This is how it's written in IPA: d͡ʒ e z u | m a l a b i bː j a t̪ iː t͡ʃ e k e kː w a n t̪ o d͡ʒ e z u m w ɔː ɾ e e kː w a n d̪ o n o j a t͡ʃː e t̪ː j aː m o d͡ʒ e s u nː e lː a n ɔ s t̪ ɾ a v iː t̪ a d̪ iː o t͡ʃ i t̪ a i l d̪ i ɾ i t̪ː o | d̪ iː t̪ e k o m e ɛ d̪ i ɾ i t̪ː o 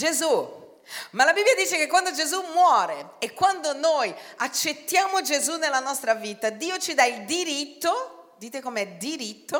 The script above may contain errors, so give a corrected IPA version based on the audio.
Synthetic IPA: d͡ʒ e z u | m a l a b i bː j a d̪ iː t͡ʃ e k e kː w a n d̪ o d͡ʒ e z u m w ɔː ɾ e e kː w a n d̪ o n o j a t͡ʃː e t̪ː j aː m o d͡ʒ e z u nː e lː a n ɔ s t̪ ɾ a v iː t̪ a d̪ iː o t͡ʃ i d̪ a i l d̪ i ɾ i t̪ː o | d̪ iː t̪ e k o m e ɛ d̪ i ɾ i t̪ː o